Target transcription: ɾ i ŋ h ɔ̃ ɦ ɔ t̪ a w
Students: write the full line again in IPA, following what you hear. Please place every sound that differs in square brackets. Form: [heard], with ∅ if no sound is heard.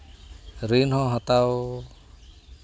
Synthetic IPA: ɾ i [n] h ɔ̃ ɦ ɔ t̪ a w